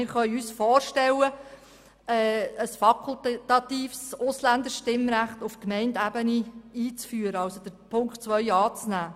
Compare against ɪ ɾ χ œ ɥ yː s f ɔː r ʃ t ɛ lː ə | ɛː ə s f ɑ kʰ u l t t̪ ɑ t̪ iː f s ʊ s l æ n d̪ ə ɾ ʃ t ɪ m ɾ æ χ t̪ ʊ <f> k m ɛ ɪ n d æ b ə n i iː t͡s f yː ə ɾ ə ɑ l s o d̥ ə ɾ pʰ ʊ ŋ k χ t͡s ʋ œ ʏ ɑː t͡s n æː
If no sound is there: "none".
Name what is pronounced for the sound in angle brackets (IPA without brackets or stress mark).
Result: f